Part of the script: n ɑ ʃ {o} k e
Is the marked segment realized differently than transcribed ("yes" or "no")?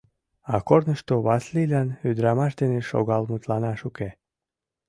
yes